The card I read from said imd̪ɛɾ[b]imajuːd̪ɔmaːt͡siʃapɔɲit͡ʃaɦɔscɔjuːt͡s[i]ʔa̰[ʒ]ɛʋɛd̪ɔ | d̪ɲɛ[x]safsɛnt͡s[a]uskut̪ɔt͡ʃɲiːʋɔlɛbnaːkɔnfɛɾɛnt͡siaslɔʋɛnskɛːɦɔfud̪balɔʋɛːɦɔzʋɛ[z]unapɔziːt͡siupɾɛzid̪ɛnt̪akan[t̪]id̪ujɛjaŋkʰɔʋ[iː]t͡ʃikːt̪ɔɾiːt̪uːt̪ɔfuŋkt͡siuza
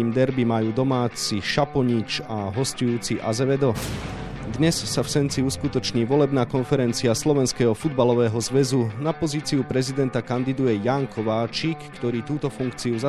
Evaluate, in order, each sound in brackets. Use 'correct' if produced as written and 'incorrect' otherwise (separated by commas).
correct, correct, incorrect, incorrect, incorrect, correct, incorrect, incorrect